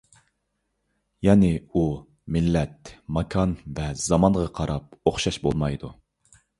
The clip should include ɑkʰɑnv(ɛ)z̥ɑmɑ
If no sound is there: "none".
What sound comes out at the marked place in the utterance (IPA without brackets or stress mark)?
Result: ɛ